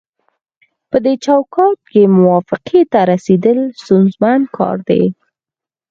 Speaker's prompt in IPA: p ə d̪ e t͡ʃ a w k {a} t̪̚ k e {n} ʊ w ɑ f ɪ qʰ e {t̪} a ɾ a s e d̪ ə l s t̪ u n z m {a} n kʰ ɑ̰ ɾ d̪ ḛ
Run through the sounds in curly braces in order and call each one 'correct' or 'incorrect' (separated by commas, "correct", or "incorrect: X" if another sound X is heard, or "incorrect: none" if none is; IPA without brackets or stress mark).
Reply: incorrect: ɑ, incorrect: m, correct, correct